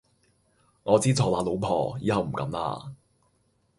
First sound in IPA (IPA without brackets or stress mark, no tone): ŋ